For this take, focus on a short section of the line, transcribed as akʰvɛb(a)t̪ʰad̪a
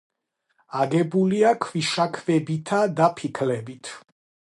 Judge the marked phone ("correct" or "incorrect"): incorrect